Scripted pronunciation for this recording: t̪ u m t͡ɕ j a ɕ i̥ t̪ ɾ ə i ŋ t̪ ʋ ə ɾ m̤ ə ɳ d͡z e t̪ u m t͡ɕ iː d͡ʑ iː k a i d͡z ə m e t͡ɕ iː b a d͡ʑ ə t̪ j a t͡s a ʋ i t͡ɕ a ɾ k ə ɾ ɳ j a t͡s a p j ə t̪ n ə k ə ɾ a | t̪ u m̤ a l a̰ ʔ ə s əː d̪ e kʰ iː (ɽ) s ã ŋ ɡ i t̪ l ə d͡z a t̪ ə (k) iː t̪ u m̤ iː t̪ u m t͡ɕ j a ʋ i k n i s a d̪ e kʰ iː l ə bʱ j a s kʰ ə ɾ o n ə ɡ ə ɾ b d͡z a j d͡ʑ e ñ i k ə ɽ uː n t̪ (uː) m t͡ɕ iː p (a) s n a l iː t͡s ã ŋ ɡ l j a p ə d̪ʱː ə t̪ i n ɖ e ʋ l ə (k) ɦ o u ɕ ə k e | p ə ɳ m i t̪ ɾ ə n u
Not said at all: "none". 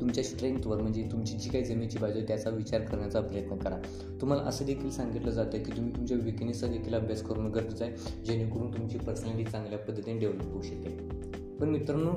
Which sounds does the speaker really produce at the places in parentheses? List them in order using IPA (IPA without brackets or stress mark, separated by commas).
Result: l, k, u, ə, p